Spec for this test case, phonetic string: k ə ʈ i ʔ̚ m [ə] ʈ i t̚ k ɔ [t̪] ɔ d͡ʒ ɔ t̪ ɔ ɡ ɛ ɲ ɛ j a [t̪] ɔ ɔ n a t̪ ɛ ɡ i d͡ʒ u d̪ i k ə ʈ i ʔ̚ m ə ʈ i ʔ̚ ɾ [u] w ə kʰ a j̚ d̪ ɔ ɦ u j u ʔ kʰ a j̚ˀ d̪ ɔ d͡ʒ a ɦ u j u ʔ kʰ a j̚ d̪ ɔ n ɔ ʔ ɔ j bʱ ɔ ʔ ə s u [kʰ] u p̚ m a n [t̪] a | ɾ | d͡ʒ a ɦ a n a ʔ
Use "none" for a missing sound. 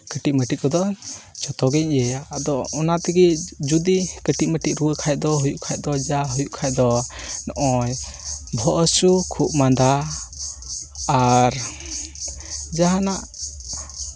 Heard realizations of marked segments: ə, d̪, d̪, u, kʰ, d̪

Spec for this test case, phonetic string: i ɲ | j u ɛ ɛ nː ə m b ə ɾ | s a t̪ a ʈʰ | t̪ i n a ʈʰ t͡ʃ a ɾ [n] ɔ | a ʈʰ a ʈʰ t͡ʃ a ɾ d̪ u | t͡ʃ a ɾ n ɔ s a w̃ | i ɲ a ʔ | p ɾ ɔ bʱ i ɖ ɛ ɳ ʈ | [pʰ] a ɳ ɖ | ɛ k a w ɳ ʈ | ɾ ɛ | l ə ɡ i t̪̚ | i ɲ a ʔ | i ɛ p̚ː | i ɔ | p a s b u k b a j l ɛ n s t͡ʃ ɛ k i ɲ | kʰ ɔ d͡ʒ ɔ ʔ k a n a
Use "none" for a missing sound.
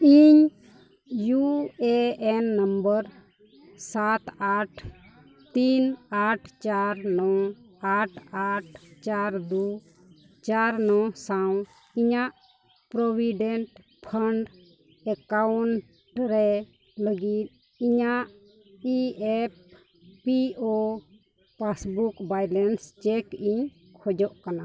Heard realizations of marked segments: n, pʰ

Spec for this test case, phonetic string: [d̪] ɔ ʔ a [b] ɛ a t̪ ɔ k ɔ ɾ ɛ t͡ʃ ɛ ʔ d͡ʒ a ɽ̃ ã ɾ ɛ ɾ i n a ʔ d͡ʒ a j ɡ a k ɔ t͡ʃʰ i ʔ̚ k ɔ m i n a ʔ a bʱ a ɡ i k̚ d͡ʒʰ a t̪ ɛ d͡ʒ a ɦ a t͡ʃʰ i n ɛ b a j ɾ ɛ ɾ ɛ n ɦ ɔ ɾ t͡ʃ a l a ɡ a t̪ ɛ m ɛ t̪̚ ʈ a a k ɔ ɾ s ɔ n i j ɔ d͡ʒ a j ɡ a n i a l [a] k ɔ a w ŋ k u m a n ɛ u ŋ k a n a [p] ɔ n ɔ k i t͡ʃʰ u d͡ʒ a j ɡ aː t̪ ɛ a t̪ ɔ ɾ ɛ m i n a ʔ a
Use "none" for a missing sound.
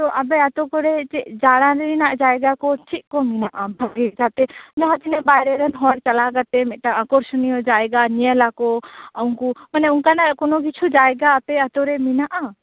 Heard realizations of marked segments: t̪, b, a, k

